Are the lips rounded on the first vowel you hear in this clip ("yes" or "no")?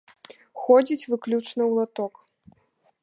yes